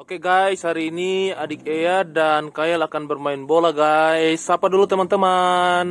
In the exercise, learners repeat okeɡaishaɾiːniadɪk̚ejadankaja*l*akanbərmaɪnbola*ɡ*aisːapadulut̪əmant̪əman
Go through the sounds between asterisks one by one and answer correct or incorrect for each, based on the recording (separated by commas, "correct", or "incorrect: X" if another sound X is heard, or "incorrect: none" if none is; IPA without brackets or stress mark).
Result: correct, correct